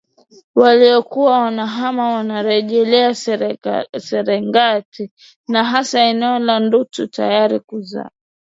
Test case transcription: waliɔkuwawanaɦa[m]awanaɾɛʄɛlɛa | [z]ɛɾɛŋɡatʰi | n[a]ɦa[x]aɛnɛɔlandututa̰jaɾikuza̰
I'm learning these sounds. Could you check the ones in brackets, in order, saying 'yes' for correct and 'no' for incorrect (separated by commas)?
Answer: yes, no, yes, no